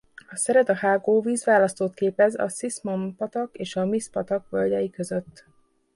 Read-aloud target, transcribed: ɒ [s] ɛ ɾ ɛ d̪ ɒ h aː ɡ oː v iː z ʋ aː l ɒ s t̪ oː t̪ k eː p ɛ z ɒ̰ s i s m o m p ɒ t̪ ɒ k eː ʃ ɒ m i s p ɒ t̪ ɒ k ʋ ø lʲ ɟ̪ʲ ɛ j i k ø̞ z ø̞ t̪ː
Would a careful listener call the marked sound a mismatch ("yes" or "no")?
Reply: no